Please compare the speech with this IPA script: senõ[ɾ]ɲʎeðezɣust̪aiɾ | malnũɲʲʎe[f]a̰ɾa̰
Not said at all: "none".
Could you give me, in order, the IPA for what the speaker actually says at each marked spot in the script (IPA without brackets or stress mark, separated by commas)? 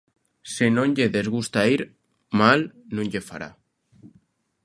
none, f